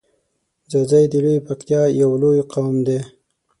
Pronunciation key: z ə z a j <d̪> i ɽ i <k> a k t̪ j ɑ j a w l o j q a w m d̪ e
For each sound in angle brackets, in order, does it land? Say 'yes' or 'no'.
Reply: yes, no

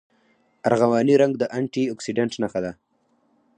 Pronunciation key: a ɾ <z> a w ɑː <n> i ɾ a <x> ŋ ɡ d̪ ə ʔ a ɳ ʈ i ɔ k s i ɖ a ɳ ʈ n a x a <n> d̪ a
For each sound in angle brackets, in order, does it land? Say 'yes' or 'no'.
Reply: no, yes, no, no

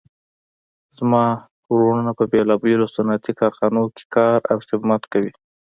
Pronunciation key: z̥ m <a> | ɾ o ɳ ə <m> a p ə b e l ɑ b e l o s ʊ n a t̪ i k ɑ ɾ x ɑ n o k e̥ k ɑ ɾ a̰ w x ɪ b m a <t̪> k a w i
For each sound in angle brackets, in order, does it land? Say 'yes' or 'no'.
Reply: no, no, yes

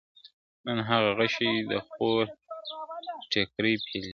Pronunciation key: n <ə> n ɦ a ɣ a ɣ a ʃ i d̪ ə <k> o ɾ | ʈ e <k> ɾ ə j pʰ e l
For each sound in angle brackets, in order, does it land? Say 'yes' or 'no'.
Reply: yes, no, yes

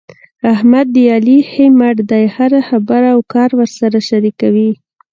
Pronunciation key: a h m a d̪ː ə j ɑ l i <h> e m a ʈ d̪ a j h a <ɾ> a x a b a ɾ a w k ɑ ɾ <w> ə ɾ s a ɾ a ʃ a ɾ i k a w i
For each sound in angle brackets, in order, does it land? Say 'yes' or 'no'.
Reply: yes, yes, yes

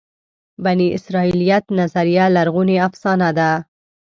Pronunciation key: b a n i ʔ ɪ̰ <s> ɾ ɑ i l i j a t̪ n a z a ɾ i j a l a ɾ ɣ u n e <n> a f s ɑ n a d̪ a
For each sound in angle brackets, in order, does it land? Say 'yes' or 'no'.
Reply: yes, no

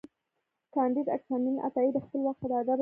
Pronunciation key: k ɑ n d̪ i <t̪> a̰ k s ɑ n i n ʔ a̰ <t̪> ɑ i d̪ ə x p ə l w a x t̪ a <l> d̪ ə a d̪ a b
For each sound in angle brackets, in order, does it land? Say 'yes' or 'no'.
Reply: no, yes, no

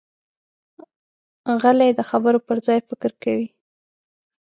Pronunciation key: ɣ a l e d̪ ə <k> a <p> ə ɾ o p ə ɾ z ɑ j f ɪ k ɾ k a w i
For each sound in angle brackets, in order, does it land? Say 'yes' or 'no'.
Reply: no, no

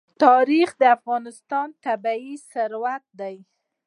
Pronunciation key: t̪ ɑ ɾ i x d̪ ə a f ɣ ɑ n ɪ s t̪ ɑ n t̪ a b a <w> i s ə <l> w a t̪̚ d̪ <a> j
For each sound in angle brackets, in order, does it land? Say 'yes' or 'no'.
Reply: no, no, yes

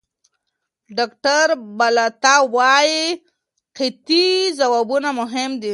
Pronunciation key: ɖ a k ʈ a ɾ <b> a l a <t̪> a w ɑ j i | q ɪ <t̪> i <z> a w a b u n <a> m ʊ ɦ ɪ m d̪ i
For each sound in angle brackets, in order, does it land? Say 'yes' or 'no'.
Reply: yes, yes, yes, yes, yes

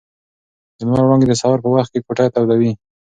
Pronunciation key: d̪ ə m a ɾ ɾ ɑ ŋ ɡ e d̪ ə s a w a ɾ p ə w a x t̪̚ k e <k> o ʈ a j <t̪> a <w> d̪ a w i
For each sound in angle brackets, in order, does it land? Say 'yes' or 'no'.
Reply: yes, yes, yes

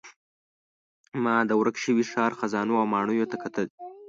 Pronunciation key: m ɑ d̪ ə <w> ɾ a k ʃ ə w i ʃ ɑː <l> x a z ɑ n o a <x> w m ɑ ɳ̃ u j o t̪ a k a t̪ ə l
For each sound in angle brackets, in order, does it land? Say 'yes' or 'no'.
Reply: yes, no, no

